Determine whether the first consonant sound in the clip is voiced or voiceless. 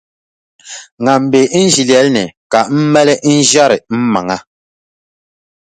voiced